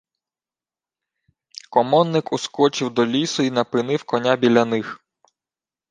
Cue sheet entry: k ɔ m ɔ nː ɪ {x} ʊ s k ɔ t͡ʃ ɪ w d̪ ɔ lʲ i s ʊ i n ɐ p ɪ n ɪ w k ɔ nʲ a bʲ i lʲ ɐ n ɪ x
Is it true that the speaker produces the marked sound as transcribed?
no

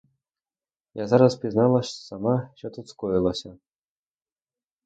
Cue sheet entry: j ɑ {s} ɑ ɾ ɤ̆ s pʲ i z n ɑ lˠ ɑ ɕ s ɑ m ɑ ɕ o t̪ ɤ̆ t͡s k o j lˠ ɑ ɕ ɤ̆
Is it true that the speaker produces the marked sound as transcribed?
no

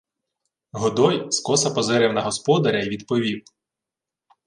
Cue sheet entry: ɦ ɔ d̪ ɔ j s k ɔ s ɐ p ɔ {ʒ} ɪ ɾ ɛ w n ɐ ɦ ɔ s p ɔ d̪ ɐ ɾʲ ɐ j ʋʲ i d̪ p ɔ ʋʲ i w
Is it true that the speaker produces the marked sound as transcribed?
no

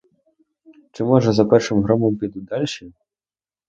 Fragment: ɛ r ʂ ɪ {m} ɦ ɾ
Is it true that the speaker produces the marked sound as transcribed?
yes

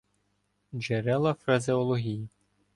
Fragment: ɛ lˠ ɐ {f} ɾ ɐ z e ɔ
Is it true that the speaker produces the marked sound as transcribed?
yes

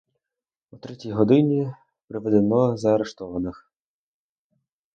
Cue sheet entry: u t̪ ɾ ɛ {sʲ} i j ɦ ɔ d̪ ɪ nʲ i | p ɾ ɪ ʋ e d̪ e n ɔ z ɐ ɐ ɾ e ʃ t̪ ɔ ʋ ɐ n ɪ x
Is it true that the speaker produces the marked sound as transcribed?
no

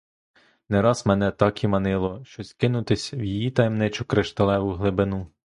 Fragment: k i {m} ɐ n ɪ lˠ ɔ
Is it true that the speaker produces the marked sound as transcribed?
yes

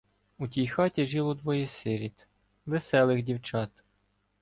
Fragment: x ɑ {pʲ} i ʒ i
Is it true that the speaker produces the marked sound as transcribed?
no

